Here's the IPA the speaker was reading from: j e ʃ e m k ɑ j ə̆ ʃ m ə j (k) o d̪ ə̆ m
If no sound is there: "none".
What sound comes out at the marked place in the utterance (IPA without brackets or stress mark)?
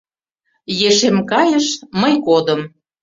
k